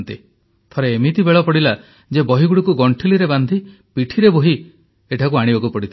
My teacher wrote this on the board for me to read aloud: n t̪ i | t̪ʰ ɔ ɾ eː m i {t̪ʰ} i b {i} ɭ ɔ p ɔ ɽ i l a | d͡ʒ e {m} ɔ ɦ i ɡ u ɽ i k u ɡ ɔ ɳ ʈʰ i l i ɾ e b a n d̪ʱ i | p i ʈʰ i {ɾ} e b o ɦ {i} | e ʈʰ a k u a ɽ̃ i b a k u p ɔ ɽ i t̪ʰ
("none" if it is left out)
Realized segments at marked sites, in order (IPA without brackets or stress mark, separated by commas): t̪, e, b, ɾ, i